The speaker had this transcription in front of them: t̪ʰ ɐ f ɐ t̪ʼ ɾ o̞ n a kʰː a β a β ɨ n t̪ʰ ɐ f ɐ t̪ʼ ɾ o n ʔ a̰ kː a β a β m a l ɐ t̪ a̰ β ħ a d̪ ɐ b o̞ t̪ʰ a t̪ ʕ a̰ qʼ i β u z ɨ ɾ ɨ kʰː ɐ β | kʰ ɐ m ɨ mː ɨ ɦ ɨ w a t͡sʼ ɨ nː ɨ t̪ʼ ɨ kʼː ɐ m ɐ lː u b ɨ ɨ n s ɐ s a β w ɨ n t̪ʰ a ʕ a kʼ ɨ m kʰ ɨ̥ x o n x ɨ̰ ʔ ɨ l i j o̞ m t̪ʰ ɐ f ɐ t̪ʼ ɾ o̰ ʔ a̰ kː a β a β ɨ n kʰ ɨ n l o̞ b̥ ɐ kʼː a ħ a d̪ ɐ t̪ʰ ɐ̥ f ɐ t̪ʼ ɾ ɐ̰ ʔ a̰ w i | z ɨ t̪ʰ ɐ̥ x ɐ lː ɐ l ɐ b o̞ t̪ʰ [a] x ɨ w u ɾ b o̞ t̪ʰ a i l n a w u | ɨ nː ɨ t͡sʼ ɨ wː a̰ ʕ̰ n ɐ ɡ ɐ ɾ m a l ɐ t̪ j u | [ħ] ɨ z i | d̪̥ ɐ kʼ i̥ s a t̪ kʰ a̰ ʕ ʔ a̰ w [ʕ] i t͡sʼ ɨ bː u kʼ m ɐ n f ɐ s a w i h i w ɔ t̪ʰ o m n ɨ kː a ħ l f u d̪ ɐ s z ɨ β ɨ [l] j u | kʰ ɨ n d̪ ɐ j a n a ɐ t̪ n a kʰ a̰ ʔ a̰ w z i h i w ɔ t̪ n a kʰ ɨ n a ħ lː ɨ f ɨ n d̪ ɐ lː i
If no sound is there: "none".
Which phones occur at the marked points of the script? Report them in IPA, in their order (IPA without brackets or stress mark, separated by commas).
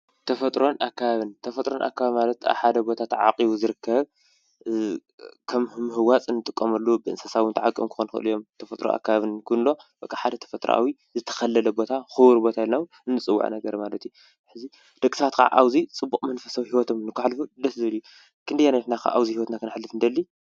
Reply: a, ħ, z, l